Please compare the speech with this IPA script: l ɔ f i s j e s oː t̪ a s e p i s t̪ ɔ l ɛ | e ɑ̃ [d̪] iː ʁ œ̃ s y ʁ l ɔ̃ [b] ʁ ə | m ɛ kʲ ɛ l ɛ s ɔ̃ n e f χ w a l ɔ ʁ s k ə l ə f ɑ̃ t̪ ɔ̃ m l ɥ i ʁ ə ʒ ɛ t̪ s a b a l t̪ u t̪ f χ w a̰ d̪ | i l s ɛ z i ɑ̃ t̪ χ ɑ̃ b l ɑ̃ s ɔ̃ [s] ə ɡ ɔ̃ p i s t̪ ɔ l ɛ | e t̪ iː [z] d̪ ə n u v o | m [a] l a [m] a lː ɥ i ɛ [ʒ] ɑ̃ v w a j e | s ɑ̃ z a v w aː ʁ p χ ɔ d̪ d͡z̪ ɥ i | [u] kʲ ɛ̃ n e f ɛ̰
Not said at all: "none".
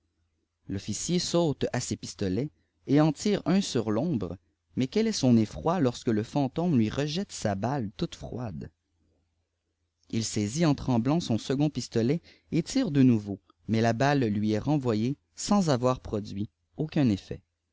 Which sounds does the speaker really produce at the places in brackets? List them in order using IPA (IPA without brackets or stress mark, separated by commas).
t̪, b, s, ʁ, ɛ, b, ʁ, o